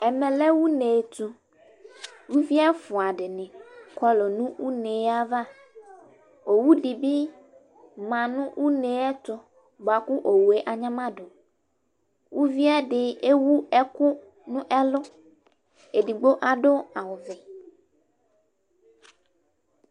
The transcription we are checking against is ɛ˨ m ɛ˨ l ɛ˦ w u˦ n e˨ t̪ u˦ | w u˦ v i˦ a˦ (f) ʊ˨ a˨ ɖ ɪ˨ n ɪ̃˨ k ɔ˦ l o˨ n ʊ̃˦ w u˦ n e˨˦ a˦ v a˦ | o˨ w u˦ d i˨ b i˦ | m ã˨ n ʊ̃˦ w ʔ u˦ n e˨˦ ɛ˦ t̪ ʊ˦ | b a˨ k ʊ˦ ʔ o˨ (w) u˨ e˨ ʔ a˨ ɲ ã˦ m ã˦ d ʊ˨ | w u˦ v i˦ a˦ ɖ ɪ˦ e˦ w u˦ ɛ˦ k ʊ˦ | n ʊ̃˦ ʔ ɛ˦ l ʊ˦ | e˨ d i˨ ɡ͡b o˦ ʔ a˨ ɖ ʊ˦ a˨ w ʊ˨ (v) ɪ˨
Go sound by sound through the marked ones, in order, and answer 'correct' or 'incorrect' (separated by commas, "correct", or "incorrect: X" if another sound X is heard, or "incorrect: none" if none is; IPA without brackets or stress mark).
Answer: correct, correct, correct